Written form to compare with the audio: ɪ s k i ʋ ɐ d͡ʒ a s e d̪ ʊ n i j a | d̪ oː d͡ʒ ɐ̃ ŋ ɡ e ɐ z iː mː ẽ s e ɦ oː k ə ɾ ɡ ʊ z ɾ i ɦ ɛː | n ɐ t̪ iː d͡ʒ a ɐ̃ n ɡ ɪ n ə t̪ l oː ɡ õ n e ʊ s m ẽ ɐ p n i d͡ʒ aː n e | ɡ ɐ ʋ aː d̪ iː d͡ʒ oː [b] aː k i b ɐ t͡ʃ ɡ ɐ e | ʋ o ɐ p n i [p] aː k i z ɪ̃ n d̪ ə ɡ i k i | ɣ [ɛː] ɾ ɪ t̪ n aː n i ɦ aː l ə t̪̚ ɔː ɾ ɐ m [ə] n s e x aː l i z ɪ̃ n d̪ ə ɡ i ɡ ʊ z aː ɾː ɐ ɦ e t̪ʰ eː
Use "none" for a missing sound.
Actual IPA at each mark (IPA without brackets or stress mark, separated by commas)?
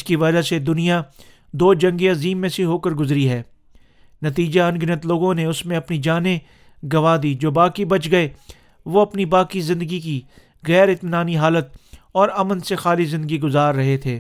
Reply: b, b, ɛː, ə